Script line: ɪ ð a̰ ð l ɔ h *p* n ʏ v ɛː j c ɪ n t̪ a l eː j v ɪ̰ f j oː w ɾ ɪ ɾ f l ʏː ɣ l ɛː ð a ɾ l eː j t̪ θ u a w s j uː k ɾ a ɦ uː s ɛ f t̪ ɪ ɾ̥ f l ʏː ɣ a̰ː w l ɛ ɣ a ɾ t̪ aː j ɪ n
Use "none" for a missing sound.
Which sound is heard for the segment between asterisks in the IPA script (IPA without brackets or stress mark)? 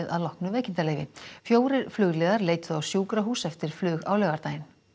k